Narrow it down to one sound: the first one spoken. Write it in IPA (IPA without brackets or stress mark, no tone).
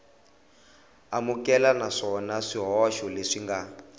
a